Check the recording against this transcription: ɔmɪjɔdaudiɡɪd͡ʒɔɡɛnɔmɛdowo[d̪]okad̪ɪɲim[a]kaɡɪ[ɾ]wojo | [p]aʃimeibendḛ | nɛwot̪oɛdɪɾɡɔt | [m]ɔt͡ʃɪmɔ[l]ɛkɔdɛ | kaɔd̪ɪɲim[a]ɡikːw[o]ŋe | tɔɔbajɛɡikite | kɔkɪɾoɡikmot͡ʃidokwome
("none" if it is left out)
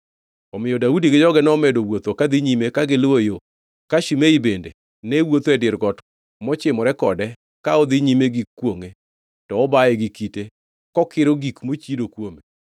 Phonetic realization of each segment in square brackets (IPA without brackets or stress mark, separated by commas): t̪, e, l, k, m, ɾ, e, o